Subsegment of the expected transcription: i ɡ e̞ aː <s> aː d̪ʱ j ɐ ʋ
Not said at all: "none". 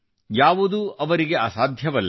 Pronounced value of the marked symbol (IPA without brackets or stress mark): s